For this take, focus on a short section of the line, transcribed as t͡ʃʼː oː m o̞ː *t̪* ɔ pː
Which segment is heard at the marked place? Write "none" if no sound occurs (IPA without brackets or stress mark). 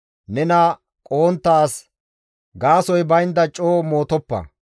t̪